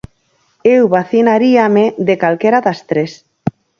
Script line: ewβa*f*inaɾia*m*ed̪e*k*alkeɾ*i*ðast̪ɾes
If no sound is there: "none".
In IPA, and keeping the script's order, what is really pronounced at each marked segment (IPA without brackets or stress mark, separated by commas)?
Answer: θ, m, k, a